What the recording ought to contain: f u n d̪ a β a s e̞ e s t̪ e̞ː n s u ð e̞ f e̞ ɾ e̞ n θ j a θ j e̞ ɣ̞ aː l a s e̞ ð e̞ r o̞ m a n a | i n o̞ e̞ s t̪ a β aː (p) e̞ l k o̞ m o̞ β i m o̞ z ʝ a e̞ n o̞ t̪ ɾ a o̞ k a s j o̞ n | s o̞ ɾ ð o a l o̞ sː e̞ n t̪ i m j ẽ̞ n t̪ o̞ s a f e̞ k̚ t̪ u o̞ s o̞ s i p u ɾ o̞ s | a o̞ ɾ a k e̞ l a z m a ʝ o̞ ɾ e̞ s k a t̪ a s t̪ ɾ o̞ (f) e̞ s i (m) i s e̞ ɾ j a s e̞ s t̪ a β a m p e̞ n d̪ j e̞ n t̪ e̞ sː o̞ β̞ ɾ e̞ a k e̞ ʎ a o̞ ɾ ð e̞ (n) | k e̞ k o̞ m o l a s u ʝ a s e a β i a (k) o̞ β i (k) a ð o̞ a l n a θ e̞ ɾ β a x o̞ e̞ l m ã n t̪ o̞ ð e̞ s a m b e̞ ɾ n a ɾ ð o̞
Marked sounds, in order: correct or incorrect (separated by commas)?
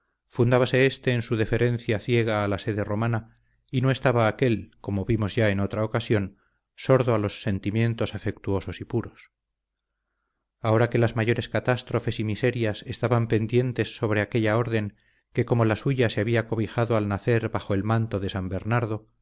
incorrect, correct, correct, incorrect, correct, incorrect